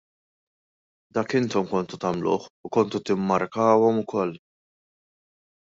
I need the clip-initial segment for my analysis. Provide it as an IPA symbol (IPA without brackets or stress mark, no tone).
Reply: d̪